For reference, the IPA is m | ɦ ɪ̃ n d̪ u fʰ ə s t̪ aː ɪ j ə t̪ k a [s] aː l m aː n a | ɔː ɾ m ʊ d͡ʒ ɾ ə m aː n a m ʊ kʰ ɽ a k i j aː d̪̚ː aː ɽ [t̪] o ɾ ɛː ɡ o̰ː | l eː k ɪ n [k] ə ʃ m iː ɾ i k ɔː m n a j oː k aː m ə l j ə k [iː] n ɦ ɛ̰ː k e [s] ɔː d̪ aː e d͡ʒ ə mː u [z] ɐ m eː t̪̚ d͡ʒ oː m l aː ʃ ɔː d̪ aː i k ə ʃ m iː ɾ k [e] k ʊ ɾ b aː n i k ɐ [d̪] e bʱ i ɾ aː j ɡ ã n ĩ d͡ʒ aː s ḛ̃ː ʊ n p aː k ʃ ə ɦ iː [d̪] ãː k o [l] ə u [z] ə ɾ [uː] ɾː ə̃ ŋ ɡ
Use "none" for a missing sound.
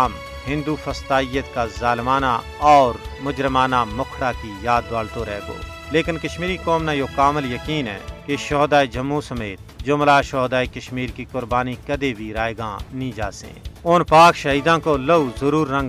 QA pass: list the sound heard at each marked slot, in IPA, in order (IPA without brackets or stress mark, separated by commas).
z, t̪, k, iː, ʃ, s, i, d̪, d̪, l, z, uː